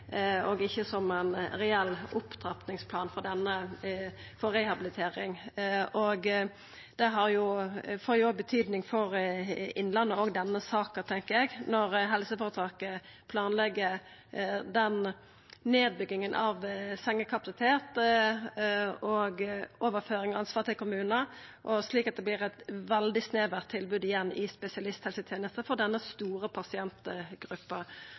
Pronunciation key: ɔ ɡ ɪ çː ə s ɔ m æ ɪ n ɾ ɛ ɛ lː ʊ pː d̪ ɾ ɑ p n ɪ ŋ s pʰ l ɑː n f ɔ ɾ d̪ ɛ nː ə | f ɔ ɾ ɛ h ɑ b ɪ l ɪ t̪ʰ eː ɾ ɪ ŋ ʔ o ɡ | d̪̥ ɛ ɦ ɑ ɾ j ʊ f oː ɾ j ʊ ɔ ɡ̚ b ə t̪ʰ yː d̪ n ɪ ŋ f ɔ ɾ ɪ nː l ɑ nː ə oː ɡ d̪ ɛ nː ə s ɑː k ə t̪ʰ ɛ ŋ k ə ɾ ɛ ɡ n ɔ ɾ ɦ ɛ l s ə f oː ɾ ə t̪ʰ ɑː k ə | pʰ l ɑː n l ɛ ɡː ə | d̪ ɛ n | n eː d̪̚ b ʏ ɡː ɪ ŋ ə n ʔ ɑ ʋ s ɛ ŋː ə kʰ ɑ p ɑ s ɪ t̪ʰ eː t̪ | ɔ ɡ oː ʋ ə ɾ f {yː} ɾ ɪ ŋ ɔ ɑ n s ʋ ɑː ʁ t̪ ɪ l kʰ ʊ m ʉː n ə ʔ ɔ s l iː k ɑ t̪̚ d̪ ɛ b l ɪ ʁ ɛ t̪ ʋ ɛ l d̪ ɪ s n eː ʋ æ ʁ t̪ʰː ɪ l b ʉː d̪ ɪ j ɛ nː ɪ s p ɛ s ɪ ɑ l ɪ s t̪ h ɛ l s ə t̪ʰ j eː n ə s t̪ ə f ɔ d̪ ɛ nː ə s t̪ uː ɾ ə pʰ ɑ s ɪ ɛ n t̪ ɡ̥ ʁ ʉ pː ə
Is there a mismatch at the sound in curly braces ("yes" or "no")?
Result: yes